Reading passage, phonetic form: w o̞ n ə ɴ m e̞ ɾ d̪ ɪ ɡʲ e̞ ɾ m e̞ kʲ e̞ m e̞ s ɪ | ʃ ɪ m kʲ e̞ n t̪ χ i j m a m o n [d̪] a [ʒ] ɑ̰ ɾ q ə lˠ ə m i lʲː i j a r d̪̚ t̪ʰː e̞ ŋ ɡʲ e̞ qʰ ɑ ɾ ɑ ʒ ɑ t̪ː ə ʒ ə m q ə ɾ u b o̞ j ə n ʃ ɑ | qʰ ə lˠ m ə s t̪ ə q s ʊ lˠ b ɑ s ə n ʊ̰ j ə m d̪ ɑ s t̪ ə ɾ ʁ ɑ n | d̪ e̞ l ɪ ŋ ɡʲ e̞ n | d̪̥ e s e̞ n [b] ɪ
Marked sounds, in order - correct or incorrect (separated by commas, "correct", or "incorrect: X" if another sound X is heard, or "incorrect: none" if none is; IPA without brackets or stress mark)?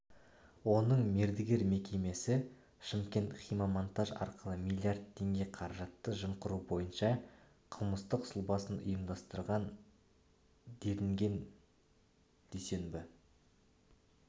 incorrect: t̪, correct, correct